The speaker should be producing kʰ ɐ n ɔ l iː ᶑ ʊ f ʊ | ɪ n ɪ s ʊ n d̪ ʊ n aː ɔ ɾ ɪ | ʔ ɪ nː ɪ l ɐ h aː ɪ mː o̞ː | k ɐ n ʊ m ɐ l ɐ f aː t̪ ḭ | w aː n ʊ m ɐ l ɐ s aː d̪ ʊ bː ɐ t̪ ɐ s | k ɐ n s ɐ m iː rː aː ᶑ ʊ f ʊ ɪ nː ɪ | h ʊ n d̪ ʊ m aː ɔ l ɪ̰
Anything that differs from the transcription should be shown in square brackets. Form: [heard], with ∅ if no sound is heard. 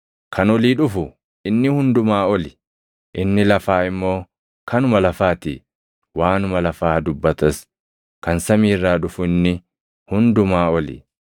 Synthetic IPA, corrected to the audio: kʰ ɐ n ɔ l iː ᶑ ʊ f ʊ | ɪ [nː] ɪ [h] ʊ n d̪ ʊ [m] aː ɔ [l] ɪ | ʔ ɪ nː ɪ l ɐ [f] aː ɪ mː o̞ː | k ɐ n ʊ m ɐ l ɐ f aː t̪ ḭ | w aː n ʊ m ɐ l ɐ [f] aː d̪ ʊ bː ɐ t̪ ɐ s | k ɐ n s ɐ m iː rː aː ᶑ ʊ f ʊ ɪ nː ɪ | h ʊ n d̪ ʊ m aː ɔ l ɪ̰